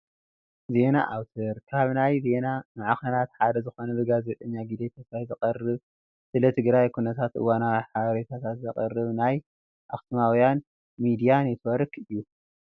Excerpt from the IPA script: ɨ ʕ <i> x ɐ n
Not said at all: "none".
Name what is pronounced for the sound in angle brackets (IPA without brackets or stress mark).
a